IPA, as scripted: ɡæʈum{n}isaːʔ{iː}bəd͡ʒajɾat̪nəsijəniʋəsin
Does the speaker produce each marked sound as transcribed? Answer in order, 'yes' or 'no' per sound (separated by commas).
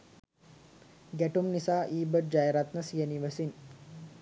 yes, yes